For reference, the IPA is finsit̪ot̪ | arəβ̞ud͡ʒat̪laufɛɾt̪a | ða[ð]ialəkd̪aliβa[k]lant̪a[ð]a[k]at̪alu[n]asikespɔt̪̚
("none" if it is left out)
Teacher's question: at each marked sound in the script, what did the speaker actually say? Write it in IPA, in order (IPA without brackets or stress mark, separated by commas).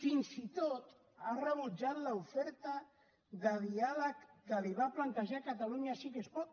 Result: ð, p, ʒ, k, ɲ